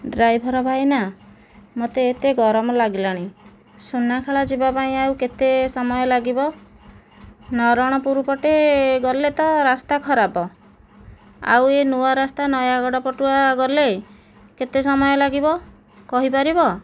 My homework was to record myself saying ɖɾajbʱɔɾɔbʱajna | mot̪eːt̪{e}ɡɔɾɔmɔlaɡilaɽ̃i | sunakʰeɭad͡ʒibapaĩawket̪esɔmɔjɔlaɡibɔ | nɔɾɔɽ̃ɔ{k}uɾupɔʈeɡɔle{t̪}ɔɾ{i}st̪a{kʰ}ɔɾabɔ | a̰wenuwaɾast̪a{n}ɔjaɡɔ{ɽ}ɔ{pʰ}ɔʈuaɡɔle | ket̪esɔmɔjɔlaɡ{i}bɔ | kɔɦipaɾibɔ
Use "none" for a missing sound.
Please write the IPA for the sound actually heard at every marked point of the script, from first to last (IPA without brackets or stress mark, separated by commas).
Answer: e, p, t̪, a, kʰ, n, ɽ, p, i